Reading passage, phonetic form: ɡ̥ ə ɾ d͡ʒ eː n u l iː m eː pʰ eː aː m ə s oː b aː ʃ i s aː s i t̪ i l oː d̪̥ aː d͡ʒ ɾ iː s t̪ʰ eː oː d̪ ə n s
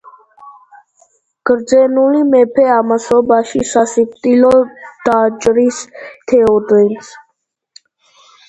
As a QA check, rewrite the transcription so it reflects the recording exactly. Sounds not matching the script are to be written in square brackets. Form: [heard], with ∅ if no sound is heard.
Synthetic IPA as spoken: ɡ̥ ə ɾ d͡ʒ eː n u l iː m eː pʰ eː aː m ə s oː b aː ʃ i s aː s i t̪ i l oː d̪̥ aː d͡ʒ ɾ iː s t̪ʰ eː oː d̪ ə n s